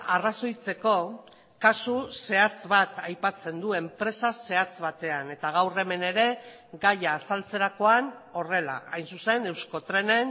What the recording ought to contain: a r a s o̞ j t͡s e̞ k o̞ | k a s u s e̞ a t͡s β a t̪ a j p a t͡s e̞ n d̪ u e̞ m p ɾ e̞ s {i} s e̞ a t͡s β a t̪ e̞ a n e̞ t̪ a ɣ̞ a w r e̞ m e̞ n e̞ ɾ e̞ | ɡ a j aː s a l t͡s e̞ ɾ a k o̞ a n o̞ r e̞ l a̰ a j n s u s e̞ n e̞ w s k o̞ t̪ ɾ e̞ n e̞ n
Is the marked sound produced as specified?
no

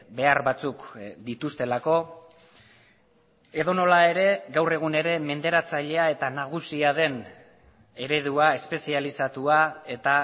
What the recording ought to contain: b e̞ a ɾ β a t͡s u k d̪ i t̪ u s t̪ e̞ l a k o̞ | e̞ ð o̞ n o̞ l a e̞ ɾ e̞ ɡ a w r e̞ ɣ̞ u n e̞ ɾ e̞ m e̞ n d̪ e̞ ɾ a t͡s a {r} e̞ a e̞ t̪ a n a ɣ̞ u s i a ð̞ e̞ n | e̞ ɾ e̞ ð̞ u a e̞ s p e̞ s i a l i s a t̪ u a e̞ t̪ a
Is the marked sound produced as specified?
no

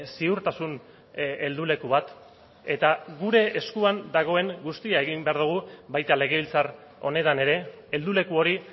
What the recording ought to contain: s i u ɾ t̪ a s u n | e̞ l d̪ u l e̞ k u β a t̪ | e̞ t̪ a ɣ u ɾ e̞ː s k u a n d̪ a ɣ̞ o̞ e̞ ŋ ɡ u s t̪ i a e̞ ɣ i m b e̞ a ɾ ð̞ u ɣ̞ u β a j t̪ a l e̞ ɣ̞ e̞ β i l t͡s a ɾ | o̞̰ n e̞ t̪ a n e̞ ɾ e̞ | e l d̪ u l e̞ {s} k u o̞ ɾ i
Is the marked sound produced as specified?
no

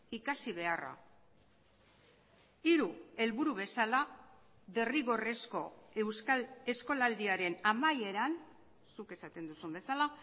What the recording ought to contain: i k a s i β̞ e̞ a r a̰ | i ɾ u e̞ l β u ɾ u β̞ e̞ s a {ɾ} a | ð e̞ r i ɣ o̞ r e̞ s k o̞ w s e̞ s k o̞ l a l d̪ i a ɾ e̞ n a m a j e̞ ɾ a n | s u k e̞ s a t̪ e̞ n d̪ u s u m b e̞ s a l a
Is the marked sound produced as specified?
no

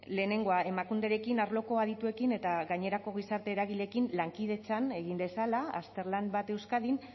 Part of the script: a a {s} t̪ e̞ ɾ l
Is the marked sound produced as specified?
yes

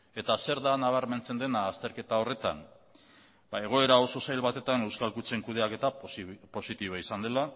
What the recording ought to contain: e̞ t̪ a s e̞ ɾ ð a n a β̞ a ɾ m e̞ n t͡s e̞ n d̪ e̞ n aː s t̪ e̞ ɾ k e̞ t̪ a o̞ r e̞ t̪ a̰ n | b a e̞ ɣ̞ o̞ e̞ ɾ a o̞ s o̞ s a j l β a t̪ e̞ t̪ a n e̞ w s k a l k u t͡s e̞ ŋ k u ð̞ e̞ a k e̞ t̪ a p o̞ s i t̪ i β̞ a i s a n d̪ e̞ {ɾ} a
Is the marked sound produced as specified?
no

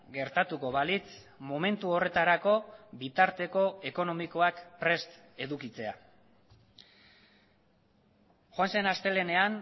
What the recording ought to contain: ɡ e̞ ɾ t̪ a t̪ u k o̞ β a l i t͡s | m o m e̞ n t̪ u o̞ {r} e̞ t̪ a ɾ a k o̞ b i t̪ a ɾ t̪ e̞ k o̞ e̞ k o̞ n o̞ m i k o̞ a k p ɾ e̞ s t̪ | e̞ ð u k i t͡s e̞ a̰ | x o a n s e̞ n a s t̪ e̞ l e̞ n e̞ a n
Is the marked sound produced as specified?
yes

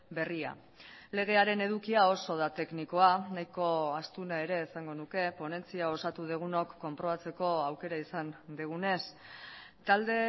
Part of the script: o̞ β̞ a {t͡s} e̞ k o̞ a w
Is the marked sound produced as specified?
yes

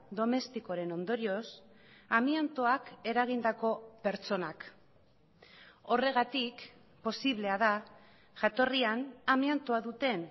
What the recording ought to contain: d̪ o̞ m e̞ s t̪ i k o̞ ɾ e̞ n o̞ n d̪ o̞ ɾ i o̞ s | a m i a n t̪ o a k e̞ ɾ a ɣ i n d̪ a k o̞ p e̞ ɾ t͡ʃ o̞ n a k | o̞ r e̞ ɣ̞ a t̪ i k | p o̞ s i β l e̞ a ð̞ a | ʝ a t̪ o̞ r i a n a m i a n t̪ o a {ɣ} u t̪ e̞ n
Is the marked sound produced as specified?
no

